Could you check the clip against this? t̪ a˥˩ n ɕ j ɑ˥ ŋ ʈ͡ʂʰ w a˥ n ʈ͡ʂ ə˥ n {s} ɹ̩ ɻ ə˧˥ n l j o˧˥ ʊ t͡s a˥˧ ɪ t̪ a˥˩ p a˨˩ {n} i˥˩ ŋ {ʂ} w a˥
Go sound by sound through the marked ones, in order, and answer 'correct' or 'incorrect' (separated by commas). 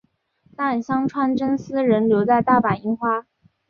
correct, correct, incorrect